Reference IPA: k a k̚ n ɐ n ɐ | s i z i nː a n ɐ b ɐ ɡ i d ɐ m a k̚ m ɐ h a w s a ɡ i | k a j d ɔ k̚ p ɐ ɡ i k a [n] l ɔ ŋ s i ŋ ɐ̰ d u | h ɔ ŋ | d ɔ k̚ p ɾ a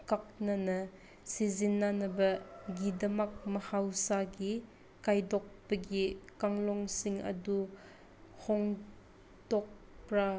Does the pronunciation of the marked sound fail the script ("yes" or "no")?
yes